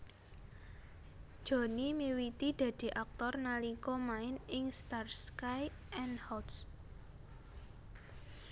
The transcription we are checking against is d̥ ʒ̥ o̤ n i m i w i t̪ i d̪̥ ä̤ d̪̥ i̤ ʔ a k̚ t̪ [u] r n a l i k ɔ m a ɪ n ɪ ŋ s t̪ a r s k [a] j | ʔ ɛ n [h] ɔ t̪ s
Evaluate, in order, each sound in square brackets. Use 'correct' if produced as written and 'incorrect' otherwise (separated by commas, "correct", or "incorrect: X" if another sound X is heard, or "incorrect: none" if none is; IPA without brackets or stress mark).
incorrect: ɔ, correct, correct